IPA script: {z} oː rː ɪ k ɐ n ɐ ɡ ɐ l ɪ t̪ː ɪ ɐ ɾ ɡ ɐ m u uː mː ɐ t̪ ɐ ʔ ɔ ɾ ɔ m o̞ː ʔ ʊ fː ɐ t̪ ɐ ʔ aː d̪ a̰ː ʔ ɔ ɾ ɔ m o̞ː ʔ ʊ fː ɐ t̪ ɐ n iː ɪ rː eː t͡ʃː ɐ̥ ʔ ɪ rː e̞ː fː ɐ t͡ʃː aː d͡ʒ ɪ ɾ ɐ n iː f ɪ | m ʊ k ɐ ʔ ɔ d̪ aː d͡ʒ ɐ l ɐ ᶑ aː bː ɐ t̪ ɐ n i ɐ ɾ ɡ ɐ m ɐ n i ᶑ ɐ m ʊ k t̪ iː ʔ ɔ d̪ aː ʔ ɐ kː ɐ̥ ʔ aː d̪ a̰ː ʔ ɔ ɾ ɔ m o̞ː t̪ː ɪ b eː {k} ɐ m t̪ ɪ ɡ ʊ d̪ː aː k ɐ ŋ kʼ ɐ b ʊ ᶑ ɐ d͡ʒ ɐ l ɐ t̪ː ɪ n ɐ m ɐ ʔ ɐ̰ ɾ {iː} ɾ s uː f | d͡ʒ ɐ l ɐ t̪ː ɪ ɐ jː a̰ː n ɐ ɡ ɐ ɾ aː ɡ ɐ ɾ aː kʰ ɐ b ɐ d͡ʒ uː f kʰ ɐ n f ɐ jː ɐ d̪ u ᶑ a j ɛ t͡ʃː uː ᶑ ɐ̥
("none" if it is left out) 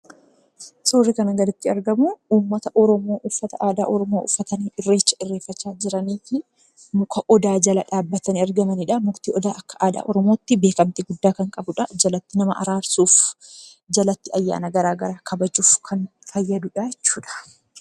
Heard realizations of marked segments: s, k, aː

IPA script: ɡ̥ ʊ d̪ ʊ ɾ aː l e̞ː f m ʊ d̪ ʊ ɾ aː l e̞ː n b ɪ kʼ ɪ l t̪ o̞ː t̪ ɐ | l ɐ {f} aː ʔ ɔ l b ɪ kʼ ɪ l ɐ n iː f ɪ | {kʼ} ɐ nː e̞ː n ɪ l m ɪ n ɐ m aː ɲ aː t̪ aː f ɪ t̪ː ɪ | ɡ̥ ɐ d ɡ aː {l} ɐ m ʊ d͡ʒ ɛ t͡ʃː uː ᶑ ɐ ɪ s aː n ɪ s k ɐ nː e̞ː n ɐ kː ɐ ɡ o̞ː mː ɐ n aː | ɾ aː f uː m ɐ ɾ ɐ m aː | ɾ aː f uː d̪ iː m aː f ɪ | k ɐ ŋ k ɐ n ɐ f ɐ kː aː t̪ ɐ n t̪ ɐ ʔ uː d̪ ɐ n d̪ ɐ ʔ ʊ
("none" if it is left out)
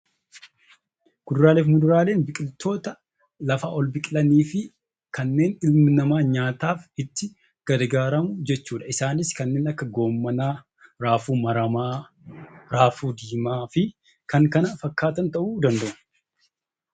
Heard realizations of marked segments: f, k, ɾ

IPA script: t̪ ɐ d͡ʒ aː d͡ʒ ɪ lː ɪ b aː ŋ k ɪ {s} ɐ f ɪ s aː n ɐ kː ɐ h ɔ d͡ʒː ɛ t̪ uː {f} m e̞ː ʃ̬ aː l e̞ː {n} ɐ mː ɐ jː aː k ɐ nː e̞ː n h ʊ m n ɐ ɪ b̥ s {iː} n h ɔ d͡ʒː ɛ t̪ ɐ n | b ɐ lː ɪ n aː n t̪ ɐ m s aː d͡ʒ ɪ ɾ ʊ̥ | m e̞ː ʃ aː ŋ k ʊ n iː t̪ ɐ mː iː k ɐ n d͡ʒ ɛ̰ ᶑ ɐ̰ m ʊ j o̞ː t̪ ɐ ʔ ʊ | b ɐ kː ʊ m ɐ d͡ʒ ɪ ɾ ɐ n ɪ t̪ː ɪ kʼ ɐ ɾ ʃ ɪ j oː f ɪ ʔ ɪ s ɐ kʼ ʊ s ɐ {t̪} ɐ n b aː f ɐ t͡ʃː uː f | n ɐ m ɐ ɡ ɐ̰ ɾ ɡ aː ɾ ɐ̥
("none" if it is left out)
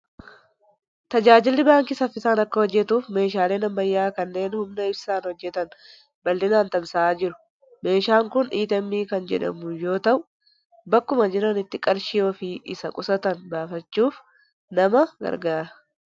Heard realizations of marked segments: s, f, n, aː, t̪

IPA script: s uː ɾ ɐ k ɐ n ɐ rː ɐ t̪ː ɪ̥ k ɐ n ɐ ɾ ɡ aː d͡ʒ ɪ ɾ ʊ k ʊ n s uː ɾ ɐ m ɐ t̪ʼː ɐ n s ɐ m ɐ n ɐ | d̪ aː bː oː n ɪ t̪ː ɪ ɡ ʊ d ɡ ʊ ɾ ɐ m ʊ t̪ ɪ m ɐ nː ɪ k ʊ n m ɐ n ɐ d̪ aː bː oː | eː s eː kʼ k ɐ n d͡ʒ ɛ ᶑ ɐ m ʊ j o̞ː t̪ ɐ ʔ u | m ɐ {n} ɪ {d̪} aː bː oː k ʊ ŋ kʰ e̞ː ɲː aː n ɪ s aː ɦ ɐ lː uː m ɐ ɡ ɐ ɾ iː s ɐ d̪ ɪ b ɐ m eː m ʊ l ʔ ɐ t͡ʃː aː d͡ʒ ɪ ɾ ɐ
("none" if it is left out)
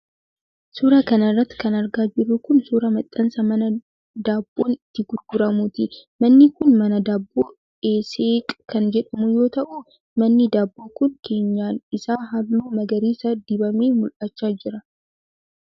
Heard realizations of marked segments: nː, d̪

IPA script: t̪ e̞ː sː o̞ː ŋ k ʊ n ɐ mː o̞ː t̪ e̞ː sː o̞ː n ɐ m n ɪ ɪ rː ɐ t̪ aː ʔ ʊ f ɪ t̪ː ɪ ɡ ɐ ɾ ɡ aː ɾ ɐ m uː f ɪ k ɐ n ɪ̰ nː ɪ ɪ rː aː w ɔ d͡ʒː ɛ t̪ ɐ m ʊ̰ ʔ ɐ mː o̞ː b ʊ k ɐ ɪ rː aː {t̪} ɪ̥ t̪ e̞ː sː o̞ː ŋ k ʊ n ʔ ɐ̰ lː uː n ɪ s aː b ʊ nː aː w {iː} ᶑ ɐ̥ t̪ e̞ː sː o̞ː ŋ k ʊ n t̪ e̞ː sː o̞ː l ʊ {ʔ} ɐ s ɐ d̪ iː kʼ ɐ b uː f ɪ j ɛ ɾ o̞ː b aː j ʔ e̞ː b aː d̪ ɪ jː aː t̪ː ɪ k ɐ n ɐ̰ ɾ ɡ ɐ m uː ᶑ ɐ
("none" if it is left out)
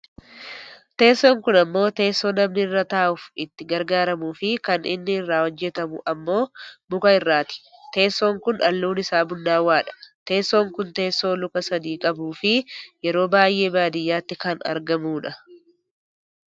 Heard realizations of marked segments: t̪, aː, k

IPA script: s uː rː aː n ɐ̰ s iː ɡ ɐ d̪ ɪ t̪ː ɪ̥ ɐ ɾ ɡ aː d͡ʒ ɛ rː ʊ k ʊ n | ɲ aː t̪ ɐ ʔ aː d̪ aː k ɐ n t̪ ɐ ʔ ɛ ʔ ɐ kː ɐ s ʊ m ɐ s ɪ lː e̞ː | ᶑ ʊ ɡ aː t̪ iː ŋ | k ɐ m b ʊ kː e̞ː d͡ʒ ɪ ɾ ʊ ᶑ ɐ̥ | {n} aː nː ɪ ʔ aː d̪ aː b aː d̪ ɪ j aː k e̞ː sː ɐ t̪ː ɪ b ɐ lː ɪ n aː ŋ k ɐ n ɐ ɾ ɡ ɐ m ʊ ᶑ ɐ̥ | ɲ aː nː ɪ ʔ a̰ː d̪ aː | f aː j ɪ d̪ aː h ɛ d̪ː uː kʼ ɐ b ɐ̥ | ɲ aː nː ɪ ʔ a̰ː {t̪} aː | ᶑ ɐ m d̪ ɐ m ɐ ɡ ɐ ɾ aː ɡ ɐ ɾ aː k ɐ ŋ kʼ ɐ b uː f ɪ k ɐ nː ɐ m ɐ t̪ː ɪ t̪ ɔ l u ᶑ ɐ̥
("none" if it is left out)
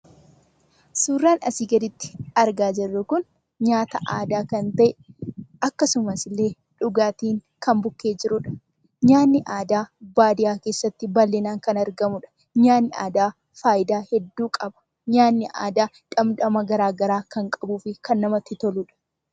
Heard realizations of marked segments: ɲ, d̪

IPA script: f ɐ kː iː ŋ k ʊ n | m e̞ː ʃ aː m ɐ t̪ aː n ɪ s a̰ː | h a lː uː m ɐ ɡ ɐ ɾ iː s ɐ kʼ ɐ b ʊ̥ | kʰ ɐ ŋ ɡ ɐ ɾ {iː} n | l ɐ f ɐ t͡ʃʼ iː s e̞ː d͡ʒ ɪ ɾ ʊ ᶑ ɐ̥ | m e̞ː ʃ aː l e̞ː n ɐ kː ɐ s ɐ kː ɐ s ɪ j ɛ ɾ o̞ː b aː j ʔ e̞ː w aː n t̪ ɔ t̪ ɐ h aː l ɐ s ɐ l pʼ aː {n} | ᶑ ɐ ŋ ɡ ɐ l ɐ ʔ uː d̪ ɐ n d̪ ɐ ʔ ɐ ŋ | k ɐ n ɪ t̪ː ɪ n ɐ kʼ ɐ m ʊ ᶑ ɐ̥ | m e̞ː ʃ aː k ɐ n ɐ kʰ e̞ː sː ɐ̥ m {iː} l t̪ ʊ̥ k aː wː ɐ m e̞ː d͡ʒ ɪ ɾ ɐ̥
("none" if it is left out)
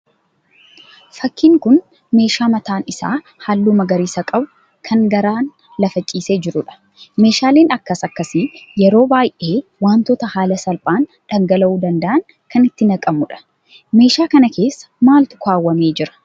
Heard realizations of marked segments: aː, n, aː

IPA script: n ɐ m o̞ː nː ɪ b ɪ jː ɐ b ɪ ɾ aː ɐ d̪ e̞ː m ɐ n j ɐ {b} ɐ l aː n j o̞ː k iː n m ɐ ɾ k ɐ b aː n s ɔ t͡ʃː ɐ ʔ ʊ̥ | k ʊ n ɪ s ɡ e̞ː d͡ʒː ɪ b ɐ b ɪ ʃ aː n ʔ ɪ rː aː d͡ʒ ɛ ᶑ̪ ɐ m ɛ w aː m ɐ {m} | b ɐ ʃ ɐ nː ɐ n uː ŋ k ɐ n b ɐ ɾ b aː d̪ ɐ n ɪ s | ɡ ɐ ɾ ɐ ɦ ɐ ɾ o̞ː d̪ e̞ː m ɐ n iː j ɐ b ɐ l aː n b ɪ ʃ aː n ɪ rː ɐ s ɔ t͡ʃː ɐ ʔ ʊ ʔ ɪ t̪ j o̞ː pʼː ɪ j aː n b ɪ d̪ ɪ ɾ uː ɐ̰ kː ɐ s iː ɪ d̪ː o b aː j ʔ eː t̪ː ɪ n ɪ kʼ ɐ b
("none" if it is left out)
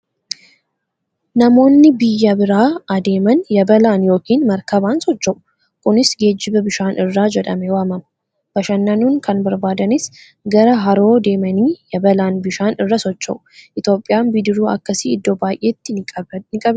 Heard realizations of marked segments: b, m

